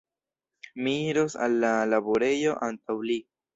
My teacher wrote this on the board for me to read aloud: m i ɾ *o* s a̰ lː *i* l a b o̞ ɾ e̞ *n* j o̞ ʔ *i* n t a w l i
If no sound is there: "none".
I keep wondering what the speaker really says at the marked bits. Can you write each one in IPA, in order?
o, a, none, a

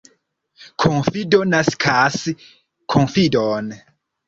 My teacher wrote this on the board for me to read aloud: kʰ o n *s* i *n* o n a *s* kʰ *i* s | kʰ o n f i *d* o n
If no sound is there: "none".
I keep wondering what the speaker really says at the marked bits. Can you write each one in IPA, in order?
f, d, s, a, d

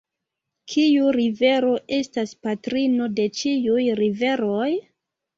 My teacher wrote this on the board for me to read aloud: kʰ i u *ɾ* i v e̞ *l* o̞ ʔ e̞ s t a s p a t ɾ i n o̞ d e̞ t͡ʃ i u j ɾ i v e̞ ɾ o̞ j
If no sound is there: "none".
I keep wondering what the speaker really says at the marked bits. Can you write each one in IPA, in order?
ɾ, ɾ

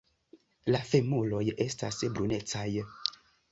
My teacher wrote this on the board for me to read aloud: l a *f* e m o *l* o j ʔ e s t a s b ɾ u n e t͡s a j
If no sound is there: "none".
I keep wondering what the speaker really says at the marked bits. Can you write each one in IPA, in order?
f, l

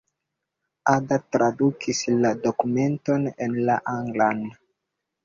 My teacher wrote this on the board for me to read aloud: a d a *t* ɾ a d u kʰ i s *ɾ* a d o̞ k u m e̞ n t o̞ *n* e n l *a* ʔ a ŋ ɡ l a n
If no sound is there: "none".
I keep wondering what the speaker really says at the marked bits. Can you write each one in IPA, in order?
t, l, n, a

